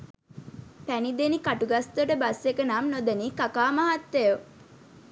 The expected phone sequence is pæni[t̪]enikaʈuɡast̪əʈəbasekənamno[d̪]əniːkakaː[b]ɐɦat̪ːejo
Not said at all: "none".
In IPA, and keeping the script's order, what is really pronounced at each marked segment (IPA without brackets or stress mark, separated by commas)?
d̪, d̪, m